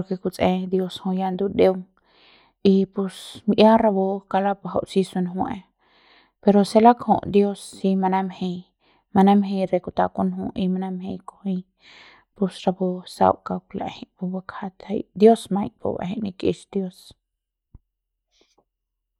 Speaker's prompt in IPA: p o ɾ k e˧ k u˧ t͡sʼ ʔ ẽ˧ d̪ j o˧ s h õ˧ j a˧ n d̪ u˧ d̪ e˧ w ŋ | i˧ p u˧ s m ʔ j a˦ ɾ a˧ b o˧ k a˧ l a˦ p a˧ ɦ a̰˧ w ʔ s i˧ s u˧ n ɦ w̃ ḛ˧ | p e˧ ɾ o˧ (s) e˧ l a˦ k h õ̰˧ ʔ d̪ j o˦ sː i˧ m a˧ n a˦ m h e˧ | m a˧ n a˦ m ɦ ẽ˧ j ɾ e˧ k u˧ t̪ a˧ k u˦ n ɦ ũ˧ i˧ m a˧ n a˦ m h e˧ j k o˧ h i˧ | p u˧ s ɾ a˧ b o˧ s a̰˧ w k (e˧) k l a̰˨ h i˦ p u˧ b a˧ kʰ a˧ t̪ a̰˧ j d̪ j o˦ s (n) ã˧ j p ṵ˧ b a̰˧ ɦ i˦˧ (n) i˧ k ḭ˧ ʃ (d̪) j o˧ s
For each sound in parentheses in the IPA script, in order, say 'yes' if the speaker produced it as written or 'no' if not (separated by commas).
yes, no, no, yes, yes